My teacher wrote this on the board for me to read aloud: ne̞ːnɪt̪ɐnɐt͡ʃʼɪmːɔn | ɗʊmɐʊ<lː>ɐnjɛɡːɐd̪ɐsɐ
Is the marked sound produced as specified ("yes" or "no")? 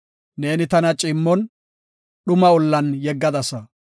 yes